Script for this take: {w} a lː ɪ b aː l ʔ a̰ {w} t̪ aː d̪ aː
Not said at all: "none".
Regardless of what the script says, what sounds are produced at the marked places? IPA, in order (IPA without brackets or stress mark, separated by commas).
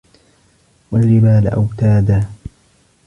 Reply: w, w